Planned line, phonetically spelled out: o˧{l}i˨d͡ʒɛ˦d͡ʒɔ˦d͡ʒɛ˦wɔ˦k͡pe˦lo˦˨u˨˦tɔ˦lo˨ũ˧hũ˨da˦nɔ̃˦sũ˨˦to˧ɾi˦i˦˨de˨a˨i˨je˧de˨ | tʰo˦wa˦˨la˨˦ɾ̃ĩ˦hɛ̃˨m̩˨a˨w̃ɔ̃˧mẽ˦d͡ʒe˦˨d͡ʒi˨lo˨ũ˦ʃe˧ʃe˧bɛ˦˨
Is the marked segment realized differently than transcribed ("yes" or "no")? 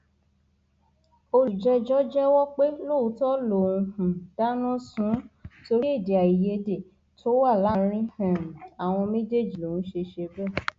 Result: yes